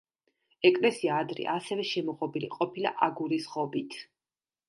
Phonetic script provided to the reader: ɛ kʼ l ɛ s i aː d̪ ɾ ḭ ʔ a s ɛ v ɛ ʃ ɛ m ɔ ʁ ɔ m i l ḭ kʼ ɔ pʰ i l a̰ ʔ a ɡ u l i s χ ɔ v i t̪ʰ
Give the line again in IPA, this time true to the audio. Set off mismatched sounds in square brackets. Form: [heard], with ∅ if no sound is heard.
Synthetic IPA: ɛ kʼ l ɛ s i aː d̪ ɾ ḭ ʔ a s ɛ v ɛ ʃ ɛ m ɔ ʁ ɔ [b] i l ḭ [qʼ] ɔ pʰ i l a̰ ʔ a ɡ u [ɾ] i s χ ɔ [b] i t̪ʰ